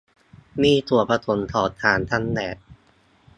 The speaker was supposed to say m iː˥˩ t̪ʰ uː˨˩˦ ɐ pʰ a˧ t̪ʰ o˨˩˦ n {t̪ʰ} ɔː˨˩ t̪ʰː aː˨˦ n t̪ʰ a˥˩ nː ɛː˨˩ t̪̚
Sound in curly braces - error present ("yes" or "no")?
no